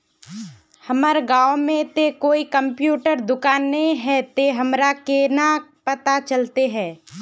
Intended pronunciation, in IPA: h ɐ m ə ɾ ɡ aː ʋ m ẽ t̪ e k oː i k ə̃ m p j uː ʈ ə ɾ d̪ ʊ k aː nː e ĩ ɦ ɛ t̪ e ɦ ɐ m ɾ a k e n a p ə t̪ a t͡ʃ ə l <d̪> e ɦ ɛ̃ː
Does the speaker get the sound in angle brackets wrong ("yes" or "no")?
yes